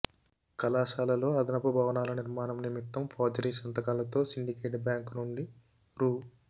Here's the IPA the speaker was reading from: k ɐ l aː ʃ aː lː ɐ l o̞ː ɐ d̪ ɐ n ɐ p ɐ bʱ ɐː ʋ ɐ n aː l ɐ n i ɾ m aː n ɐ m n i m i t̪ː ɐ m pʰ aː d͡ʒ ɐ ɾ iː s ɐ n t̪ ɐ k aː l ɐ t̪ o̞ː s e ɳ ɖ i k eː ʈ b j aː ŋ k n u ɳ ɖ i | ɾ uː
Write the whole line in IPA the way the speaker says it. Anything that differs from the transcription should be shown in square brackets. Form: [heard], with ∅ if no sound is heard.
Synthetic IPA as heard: k ɐ l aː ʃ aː [l] ɐ l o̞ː ɐ d̪ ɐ n ɐ p ɐ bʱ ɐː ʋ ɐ n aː l ɐ n i ɾ m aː n ɐ m n i m i t̪ː ɐ m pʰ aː d͡ʒ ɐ ɾ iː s ɐ n t̪ ɐ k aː l ɐ t̪ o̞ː s [i] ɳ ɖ i k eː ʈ b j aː ŋ k n u ɳ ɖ i | ɾ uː